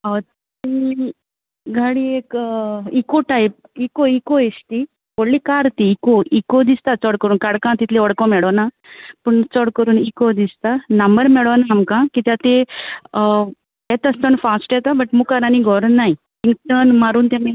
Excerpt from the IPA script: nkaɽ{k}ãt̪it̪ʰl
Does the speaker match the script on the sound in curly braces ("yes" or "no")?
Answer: yes